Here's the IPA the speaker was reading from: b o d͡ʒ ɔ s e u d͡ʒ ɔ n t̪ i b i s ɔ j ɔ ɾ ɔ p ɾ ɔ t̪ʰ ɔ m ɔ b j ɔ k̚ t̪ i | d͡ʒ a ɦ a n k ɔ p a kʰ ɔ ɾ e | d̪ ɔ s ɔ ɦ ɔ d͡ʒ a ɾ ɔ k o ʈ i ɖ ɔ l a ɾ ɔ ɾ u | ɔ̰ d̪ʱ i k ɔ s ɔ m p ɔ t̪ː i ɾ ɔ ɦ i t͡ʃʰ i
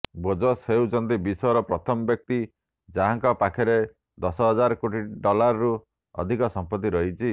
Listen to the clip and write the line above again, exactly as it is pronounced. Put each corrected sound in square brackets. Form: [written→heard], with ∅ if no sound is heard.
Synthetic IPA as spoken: b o d͡ʒ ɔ s e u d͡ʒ ɔ n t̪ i b i s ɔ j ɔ ɾ ɔ p ɾ ɔ t̪ʰ ɔ m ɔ b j ɔ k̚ t̪ i | d͡ʒ a ɦ a [n→ŋ] k ɔ p a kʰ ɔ ɾ e | d̪ ɔ s ɔ ɦ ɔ d͡ʒ a ɾ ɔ k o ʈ i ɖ ɔ l a ɾ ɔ ɾ u | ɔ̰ d̪ʱ i k ɔ s ɔ m p ɔ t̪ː i ɾ ɔ ɦ i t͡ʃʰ i